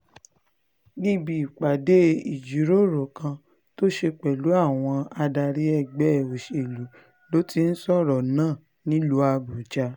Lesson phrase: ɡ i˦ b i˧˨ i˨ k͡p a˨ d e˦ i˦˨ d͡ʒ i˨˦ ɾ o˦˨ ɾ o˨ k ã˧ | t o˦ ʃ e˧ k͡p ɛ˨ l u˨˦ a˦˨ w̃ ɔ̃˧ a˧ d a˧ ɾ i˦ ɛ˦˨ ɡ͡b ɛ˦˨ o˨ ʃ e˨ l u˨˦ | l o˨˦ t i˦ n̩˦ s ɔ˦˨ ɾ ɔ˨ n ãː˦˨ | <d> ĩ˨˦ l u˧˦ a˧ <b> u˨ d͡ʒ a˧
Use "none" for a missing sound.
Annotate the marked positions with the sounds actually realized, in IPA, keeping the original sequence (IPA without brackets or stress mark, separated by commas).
n, b